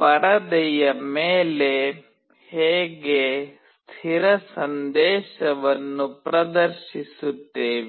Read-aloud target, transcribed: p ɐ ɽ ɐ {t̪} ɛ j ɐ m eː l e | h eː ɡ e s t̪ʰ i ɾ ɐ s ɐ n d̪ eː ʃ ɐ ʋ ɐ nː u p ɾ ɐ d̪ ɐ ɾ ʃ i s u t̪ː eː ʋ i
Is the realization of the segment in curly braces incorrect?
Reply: yes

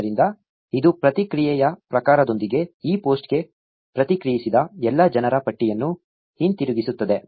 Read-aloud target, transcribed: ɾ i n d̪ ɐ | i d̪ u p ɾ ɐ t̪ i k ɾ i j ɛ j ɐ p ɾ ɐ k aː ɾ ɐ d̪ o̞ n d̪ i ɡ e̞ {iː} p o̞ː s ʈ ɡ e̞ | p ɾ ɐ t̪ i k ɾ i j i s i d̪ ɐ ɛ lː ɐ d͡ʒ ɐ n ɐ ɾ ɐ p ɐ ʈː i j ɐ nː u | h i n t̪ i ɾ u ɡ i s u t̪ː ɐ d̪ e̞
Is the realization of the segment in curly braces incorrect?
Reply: no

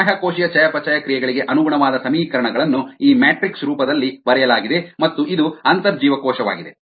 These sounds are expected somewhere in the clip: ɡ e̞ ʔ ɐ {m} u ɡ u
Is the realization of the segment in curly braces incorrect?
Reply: yes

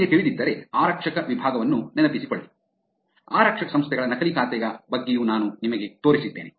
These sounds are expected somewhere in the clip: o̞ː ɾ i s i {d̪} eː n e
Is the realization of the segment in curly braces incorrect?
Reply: yes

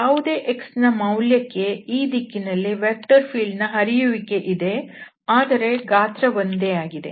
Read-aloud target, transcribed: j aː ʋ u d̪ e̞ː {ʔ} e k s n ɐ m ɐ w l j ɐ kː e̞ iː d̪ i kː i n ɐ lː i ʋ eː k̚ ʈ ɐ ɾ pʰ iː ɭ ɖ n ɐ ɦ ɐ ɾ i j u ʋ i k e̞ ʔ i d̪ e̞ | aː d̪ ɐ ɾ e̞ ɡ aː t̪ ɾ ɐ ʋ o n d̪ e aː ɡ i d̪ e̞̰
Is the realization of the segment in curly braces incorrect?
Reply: no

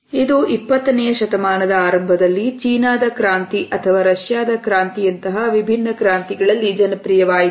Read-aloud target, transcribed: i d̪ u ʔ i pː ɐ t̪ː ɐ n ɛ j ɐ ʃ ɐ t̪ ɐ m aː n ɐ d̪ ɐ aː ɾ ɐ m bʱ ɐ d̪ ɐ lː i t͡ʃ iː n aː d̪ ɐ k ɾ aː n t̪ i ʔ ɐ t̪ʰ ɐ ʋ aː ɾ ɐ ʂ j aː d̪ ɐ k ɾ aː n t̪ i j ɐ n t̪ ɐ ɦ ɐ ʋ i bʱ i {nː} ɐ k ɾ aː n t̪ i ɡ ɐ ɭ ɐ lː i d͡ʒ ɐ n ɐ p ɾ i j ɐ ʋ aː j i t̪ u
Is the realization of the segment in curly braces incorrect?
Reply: no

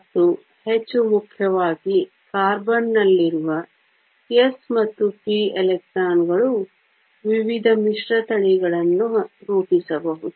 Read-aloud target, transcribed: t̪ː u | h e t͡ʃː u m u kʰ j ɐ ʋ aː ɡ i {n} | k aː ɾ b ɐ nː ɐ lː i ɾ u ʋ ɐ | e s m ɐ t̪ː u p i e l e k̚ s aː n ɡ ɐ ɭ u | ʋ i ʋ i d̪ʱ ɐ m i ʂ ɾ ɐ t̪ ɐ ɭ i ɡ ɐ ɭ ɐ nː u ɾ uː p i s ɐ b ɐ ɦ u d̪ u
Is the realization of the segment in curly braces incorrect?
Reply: yes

